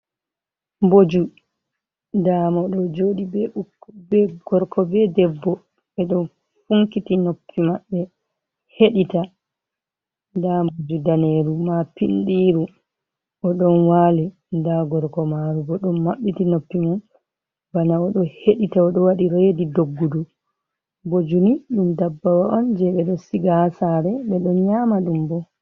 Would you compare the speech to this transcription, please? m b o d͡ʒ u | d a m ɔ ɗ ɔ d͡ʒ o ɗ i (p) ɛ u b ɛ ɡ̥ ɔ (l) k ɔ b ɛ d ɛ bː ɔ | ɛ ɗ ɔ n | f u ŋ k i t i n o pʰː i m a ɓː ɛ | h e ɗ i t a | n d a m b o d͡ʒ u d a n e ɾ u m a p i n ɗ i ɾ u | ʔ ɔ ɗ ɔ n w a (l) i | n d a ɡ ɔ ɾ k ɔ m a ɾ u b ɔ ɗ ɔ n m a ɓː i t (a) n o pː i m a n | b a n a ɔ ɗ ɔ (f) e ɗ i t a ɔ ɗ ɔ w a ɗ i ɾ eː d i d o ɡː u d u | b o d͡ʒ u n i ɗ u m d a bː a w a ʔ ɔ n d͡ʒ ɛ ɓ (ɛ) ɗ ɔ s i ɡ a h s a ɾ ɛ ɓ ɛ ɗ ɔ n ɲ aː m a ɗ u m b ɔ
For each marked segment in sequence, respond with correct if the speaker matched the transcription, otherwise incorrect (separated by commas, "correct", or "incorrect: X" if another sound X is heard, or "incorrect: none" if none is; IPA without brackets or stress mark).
incorrect: b, incorrect: ɾ, correct, incorrect: i, incorrect: h, correct